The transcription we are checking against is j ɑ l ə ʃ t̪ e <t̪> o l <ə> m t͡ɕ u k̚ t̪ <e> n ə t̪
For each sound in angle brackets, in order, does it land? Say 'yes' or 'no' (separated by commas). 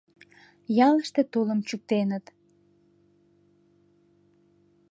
yes, yes, yes